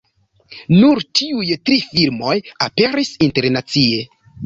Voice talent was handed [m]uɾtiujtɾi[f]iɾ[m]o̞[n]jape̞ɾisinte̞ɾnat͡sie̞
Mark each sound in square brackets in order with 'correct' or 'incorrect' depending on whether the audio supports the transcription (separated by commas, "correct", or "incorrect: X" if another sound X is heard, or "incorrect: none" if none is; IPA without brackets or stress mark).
incorrect: n, correct, correct, incorrect: none